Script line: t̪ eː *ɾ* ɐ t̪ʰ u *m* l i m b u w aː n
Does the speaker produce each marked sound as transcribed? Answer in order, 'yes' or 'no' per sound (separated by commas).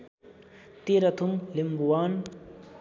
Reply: yes, yes